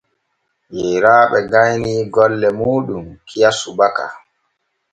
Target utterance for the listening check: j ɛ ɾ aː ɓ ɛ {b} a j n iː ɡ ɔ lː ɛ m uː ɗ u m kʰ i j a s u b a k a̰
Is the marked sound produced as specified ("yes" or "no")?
no